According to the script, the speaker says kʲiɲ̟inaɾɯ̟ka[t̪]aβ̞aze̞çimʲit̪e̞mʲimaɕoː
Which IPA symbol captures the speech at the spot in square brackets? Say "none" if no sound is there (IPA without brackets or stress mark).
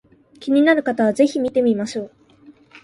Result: t̪